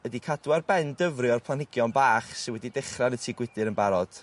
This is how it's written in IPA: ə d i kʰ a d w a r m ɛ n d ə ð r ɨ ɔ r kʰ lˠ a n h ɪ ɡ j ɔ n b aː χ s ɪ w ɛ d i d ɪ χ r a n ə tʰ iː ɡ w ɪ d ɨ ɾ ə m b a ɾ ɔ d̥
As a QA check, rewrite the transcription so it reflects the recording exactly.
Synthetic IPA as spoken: ə d i kʰ a d w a r b ɛ n d ə v r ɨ ɔ r pʰ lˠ a n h ɪ ɡ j ɔ n b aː χ s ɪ w ɛ d i d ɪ χ r a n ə tʰ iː ɡ w ɪ d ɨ ɾ ə n b a ɾ ɔ d̥